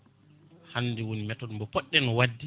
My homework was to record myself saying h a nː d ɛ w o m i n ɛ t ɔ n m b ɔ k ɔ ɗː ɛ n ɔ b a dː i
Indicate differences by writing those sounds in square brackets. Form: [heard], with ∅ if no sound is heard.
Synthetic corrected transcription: h a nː d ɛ w o [n] i [m] ɛ t ɔ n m b ɔ [p] ɔ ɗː ɛ n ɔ [w] a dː i